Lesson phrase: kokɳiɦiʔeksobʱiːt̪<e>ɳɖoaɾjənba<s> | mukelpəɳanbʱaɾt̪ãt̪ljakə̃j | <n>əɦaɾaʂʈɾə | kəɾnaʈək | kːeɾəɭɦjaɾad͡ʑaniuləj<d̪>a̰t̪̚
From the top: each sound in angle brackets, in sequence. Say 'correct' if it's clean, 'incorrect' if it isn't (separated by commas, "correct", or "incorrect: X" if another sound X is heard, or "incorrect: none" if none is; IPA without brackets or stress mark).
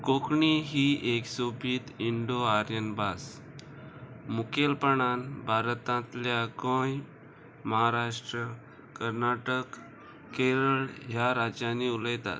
incorrect: i, correct, incorrect: m, incorrect: t̪